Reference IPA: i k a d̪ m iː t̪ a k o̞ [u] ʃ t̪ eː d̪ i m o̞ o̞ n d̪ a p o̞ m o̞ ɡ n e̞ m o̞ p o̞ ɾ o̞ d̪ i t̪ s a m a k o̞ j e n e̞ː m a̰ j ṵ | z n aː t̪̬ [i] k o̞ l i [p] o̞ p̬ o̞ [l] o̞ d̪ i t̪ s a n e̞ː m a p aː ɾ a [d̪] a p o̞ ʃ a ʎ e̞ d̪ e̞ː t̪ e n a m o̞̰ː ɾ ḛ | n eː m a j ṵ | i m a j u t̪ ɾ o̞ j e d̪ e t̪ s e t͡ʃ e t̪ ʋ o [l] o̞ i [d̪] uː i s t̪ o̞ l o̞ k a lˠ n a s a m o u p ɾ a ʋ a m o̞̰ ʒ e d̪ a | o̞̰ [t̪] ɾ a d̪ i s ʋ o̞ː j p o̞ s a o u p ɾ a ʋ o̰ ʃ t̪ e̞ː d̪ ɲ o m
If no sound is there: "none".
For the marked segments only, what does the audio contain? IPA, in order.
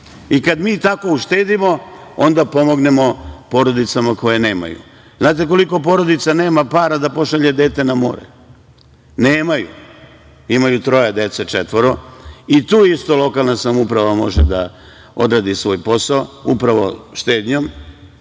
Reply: u, e, k, ɾ, d̪, ɾ, t̪, d̪

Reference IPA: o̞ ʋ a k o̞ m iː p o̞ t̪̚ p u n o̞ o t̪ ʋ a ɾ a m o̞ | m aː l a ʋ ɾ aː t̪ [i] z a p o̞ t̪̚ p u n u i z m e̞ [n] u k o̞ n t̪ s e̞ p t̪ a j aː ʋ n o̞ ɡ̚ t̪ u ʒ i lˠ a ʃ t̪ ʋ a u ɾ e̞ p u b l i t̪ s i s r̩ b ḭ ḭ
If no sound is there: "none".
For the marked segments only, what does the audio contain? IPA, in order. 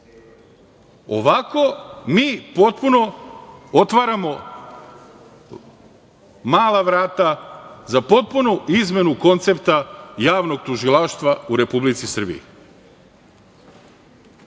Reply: a, n

